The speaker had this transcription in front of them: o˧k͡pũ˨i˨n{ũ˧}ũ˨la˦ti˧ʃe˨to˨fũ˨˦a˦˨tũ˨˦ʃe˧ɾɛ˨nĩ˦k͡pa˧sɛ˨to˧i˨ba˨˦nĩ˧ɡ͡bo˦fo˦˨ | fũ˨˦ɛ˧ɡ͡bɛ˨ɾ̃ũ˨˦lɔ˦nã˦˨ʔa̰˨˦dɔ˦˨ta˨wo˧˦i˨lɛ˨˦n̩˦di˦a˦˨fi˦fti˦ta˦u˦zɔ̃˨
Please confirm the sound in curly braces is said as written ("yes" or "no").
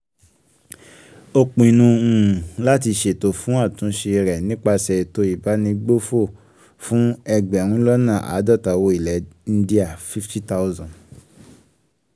yes